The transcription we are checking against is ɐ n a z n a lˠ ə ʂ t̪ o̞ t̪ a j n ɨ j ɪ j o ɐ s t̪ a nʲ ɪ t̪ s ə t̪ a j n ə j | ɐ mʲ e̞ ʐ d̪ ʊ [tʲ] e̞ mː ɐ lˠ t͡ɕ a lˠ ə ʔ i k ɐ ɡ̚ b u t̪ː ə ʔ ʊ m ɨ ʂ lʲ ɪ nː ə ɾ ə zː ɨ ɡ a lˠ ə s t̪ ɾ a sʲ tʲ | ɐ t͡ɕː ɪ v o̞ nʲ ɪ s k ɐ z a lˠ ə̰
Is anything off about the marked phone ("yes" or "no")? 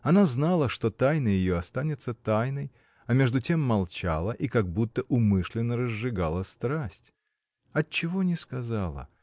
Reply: no